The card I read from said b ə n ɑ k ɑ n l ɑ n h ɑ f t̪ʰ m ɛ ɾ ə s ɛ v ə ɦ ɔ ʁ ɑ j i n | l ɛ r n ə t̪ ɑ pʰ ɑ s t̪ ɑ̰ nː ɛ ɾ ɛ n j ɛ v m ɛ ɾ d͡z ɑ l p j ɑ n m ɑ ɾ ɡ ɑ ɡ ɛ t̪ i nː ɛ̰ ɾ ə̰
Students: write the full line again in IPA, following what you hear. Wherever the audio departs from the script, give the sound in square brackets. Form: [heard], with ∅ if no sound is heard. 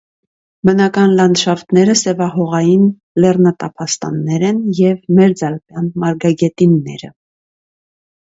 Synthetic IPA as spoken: b ə n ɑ k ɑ n l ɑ n [ʃ] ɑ f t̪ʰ [n] ɛ ɾ ə s ɛ v [ɑ] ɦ ɔ ʁ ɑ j i n | l ɛ r n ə t̪ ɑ pʰ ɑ s t̪ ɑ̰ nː ɛ ɾ ɛ n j ɛ v m ɛ ɾ d͡z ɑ l p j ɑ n m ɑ ɾ ɡ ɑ ɡ ɛ t̪ i nː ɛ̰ ɾ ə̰